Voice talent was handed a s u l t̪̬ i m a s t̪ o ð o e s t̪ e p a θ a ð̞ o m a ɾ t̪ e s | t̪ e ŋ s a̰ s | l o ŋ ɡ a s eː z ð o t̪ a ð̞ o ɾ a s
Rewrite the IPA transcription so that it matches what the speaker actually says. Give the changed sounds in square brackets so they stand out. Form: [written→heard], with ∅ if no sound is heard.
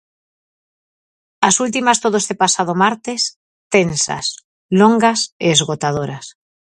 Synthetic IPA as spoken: a s u l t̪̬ i m a s t̪ o ð o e s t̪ e p a [θ→s] a ð̞ o m a ɾ t̪ e s | t̪ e [ŋ→n] s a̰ s | l o ŋ ɡ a s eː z [ð→ɣ] o t̪ a ð̞ o ɾ a s